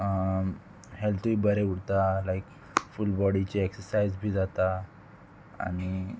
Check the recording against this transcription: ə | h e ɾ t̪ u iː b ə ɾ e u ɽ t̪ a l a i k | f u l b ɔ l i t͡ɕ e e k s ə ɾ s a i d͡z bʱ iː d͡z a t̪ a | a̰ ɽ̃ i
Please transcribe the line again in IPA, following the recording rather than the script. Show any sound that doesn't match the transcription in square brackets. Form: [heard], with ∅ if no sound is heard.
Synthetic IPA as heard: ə | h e [l] t̪ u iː b ə ɾ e u ɽ t̪ a l a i k | f u l b ɔ [ɽ] i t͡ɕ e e k s ə ɾ s a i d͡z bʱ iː d͡z a t̪ a | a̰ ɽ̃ i